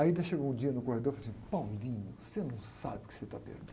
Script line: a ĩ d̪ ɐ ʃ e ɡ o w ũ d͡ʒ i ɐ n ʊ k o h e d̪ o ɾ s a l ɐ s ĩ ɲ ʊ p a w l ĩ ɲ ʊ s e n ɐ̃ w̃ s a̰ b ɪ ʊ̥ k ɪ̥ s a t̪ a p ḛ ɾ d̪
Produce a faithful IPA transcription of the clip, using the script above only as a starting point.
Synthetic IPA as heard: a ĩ d̪ ɐ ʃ e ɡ o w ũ d͡ʒ i ɐ n ʊ k o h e d̪ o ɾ f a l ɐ s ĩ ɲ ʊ p a w l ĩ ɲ ʊ s e n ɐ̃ w̃ s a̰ b ɪ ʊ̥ k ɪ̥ s e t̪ a p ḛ ɾ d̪